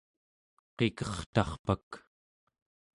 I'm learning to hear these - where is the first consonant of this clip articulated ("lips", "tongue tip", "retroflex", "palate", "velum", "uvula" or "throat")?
uvula